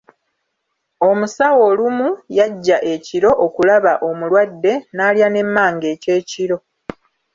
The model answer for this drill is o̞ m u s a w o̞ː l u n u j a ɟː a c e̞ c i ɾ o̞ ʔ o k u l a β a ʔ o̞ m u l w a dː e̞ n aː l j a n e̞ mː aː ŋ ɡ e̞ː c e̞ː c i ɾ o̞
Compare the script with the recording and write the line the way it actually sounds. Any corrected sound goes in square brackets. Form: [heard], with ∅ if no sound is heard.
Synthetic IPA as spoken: o̞ m u s a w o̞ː l u [m] u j a ɟː a [ʔ] e̞ c i ɾ o̞ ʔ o k u l a β a ʔ o̞ m u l w a dː e̞ n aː l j a n e̞ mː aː ŋ ɡ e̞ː c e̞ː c i ɾ o̞